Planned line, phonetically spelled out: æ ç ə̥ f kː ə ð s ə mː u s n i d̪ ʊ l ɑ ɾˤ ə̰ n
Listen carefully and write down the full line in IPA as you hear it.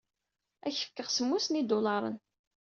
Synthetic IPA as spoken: æ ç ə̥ f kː ə ʁ s ə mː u s n i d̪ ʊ l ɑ ɾˤ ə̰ n

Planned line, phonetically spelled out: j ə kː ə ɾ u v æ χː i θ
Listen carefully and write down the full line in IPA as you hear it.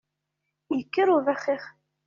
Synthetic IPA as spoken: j ə kː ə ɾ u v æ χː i χ

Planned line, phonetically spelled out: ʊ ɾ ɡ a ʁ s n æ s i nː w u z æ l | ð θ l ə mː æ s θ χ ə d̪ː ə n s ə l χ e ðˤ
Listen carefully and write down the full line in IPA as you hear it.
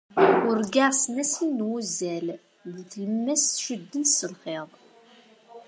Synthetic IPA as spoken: ʊ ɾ ɡ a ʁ s n æ s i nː w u z æ l | ð θ l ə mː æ s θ ʃ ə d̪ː ə n s ə l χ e ðˤ

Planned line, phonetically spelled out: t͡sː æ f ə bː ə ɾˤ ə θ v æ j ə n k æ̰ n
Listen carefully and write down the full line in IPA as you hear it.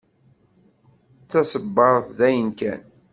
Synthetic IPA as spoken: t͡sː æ s ə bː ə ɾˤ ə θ ð æ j ə n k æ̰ n

